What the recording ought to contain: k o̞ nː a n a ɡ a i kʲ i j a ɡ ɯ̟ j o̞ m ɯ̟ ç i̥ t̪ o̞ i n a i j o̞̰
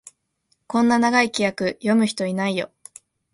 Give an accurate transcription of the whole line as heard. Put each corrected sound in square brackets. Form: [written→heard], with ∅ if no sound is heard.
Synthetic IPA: k [o̞→õ̞] nː a n a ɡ a i kʲ i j a [ɡ→k] ɯ̟ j o̞ m ɯ̟ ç i̥ t̪ o̞ i n a i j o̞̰